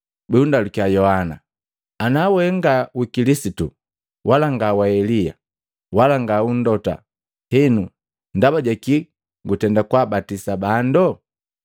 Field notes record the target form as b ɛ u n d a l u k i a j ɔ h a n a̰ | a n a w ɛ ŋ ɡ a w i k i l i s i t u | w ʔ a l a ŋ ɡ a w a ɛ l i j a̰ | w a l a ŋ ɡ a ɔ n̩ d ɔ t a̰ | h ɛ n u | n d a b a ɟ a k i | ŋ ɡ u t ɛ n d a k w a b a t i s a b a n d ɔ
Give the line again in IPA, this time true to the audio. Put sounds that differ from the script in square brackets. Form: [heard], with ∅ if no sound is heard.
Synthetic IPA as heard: b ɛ u n d a l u k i a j ɔ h a n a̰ | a n a w ɛ ŋ ɡ a w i k i l i s i t u | w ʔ a l a ŋ ɡ a w a ɛ l i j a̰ | w a l a ŋ ɡ a [u] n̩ d ɔ t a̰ | h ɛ n u | n d a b a ɟ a k i | ŋ ɡ u t ɛ n d a k w a b a t i s a b a n d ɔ